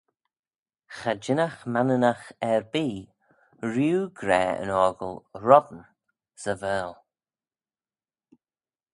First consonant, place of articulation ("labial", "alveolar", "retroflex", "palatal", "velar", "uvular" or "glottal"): velar